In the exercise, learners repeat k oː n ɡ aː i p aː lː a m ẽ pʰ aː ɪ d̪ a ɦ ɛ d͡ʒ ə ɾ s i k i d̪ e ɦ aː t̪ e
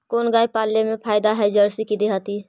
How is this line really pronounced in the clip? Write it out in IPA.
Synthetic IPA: k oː n ɡ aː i p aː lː e m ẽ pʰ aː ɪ d̪ a ɦ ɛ d͡ʒ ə ɾ s i k i d̪ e ɦ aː t̪ i